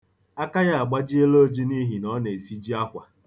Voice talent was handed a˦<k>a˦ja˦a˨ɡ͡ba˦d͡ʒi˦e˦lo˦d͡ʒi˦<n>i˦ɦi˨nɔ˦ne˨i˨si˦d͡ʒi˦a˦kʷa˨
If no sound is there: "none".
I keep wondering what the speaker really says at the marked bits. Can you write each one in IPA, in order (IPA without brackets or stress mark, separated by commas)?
k, n